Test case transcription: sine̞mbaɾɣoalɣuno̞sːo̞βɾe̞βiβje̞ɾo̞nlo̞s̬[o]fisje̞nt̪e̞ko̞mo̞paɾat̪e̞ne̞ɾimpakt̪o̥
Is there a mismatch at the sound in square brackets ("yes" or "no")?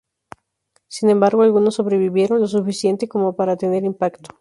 yes